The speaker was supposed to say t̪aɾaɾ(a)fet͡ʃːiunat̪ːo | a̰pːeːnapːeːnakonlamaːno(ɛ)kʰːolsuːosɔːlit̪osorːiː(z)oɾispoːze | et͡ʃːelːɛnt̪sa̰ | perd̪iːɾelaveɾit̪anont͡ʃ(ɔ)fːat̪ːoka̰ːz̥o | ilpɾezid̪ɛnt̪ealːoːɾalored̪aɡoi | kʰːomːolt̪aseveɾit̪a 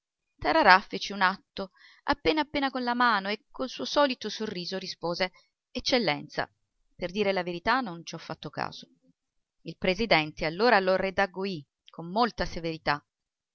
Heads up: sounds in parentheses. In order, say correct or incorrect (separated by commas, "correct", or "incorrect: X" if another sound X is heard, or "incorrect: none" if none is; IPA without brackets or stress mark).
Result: correct, incorrect: e, correct, correct